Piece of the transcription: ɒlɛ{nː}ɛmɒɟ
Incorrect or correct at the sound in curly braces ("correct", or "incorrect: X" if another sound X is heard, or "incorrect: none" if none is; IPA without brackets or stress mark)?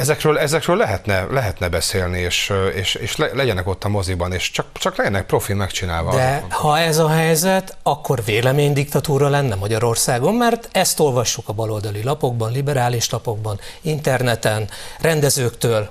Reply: correct